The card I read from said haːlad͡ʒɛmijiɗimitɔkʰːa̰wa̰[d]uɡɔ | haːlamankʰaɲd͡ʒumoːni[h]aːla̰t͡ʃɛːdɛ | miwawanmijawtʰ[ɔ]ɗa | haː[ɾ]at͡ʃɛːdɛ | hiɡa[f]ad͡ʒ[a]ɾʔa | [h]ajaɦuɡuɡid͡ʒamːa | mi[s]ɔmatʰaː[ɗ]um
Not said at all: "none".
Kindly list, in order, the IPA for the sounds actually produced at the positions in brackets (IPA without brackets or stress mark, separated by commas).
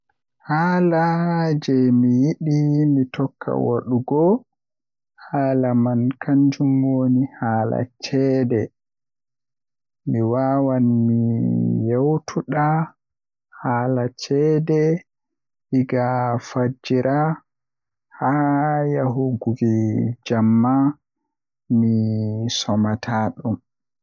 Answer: ɗ, h, u, l, f, i, h, s, ɗ